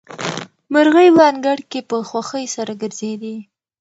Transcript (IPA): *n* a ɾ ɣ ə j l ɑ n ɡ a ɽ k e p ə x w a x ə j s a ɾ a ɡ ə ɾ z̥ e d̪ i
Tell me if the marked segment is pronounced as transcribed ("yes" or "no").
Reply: no